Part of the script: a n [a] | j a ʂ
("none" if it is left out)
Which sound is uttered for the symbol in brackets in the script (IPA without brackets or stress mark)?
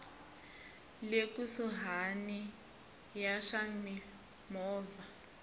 i